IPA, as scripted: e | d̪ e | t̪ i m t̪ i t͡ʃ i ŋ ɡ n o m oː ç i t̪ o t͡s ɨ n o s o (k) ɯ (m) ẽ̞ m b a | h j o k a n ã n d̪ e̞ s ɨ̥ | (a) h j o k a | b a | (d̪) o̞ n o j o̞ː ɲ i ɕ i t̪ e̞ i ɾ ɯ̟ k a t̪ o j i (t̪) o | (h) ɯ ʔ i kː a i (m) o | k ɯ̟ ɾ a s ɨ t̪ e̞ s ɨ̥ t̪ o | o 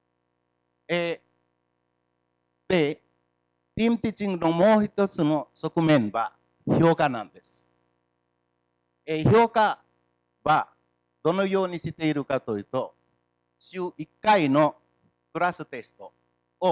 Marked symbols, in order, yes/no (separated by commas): yes, yes, no, yes, yes, no, no